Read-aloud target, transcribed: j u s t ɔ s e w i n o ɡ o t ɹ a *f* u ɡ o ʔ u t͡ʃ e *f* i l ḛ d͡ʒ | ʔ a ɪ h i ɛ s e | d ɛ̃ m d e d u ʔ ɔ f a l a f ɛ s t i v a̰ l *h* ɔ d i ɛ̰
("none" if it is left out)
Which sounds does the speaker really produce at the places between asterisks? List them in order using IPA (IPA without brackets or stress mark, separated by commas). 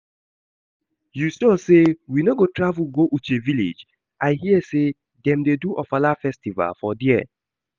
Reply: v, v, f